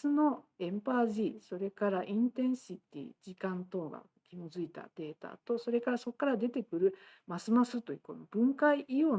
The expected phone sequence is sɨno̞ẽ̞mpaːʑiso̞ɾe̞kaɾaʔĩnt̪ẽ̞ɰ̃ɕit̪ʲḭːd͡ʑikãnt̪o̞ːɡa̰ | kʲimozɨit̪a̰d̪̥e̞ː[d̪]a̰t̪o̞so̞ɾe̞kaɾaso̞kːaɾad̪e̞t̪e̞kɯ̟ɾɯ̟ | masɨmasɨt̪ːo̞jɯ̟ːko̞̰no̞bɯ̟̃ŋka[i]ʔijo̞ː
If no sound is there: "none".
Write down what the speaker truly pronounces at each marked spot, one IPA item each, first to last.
t̪, i

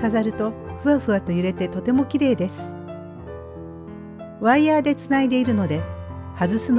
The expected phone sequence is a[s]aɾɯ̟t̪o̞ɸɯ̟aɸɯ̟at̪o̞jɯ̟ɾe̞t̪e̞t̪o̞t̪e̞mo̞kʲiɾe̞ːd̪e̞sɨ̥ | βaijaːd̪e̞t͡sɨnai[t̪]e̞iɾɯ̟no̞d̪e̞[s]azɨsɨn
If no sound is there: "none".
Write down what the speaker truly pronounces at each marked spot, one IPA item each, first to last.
z, d̪, h

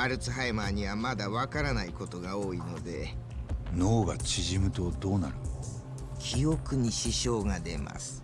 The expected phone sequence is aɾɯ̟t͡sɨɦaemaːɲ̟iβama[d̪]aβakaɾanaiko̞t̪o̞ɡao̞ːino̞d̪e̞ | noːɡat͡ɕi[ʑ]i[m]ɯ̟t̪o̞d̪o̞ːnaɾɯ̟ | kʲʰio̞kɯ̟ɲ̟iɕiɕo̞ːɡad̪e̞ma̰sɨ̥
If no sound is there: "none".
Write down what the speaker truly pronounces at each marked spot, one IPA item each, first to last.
d̪, ʑ, m

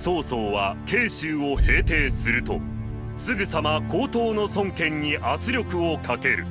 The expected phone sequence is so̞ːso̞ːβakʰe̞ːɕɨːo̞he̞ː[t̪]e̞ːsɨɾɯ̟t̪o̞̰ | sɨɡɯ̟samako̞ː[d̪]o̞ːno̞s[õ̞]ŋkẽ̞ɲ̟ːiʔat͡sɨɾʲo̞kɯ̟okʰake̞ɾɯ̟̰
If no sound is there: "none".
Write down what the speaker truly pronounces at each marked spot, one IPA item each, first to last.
t̪, t̪, õ̞

